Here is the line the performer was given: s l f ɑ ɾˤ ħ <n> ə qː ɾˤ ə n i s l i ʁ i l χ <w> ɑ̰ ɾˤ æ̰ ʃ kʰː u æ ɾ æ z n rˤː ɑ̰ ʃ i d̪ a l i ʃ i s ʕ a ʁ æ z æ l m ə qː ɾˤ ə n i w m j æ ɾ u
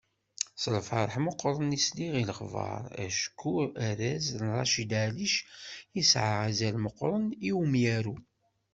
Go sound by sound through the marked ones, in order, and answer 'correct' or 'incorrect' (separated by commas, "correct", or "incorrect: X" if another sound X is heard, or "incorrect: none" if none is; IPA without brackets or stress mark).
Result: incorrect: m, incorrect: v